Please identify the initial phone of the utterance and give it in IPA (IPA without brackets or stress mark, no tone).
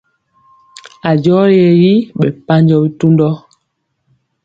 a